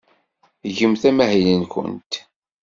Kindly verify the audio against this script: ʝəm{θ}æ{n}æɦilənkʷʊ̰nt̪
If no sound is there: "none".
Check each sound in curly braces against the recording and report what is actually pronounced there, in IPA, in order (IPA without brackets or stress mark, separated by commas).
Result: θ, m